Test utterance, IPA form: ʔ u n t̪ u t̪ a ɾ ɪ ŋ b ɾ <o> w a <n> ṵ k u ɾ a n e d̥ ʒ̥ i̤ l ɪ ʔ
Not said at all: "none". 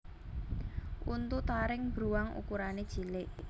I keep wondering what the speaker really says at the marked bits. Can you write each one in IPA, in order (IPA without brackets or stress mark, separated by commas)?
u, ŋ